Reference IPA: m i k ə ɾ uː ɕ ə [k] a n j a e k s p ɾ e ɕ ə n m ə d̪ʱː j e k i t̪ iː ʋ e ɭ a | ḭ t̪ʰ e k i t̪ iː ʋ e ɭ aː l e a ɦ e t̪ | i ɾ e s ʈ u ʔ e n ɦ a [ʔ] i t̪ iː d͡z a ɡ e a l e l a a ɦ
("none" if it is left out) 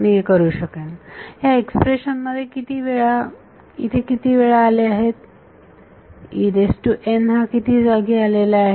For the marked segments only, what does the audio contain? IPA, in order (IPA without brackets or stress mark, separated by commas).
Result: k, k